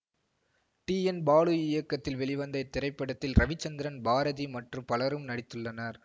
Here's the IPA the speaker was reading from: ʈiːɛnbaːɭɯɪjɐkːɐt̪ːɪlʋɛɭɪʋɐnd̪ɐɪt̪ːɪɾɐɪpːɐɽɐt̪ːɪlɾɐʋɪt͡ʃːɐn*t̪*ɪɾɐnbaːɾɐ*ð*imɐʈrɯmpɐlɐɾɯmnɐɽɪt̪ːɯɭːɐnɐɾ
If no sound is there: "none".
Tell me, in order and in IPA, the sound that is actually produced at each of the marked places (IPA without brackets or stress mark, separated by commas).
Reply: d̪, ð